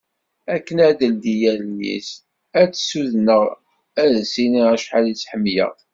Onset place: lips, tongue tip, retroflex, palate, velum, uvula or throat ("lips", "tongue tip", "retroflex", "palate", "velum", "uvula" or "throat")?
velum